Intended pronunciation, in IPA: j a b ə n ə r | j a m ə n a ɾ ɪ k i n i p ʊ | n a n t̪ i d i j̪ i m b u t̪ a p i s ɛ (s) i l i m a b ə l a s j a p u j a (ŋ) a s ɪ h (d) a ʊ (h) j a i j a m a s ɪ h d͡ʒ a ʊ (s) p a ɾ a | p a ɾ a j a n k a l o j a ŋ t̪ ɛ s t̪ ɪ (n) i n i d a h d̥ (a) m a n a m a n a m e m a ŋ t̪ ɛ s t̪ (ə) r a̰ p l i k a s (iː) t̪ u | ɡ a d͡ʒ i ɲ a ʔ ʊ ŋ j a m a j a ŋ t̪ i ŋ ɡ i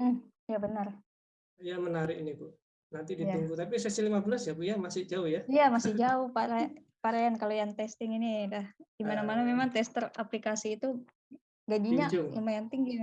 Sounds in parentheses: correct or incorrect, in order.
correct, incorrect: m, incorrect: d͡ʒ, correct, incorrect: h, incorrect: ŋ, incorrect: i, correct, correct

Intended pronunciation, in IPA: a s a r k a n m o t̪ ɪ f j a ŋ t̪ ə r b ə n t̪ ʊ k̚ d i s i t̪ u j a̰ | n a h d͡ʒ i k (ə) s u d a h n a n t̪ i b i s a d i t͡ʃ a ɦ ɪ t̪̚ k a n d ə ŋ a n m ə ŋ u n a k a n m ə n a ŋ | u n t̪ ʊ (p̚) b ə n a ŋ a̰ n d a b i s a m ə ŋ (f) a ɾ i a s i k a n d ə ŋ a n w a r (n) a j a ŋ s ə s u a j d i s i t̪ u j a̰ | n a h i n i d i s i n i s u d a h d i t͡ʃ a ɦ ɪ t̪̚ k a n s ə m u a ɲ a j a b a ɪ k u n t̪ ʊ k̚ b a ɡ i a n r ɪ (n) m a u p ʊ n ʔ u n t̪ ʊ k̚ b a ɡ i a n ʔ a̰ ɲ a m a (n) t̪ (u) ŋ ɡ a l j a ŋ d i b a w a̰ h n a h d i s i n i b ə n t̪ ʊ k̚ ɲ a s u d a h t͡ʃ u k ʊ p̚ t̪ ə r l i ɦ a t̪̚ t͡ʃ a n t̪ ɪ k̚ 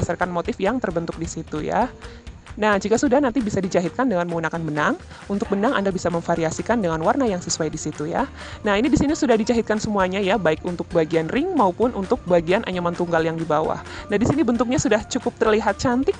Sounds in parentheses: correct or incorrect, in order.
incorrect: a, incorrect: k̚, correct, correct, incorrect: ŋ, correct, correct

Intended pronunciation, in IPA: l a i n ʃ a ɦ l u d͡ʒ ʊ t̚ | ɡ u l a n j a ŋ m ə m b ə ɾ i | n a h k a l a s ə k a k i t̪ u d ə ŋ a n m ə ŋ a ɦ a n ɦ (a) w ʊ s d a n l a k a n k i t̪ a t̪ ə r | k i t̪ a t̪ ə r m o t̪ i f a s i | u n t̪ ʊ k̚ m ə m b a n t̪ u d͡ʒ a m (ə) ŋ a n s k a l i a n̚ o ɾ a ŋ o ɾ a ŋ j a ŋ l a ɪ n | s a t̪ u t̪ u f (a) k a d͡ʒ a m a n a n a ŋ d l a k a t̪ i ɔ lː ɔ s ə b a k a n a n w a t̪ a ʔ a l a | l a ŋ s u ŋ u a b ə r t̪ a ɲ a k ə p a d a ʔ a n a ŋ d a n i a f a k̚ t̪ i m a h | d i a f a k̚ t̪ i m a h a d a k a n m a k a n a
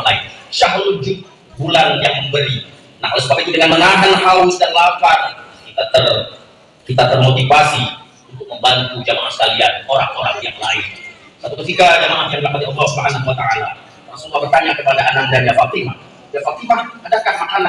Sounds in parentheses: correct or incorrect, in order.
correct, incorrect: a, incorrect: i

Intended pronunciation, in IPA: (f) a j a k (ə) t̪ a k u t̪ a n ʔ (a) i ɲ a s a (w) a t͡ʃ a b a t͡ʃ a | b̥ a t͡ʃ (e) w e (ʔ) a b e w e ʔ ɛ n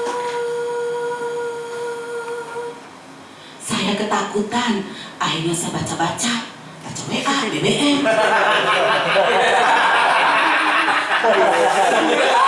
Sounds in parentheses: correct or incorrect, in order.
incorrect: s, correct, correct, incorrect: b, incorrect: a, correct

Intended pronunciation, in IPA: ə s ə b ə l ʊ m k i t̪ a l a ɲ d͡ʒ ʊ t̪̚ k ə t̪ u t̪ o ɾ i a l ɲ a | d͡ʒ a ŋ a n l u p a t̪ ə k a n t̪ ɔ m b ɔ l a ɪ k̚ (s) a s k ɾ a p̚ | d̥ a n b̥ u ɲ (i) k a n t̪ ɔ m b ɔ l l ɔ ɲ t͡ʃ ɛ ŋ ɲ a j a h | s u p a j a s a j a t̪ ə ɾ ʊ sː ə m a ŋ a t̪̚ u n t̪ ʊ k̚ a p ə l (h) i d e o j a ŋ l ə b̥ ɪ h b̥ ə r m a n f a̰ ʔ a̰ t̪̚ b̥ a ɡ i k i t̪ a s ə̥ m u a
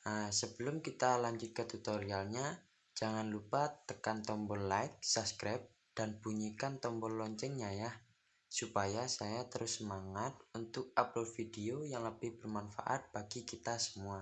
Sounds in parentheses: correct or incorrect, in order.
correct, correct, incorrect: f

